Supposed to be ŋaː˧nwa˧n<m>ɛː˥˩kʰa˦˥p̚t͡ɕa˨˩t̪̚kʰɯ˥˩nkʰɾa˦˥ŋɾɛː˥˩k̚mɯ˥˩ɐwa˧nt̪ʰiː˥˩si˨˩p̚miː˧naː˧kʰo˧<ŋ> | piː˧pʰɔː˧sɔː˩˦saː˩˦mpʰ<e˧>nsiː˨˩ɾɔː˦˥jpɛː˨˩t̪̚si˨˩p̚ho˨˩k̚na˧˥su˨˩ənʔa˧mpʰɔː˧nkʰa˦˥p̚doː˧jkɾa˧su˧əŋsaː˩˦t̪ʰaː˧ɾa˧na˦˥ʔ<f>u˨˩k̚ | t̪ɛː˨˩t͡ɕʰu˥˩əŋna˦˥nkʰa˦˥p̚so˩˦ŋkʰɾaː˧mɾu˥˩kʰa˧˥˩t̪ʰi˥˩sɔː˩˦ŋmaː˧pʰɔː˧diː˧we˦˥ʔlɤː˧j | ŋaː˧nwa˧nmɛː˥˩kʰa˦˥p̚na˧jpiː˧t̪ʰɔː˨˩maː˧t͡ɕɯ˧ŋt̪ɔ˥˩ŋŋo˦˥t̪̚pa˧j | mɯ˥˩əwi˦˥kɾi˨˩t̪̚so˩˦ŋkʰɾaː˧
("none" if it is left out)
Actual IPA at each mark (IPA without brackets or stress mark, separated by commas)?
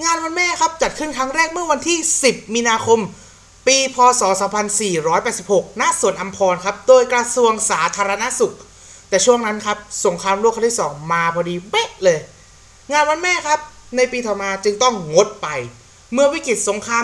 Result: m, m, a˧, s